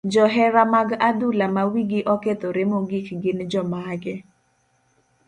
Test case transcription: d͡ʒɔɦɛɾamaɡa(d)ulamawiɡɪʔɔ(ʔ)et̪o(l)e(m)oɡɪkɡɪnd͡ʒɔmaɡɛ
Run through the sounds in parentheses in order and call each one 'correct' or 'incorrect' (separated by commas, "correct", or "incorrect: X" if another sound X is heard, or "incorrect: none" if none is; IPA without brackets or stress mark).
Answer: correct, incorrect: k, incorrect: ɾ, correct